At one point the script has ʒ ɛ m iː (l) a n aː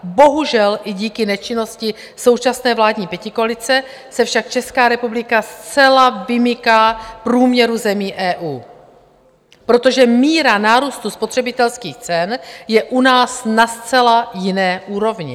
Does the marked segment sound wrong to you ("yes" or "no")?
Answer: yes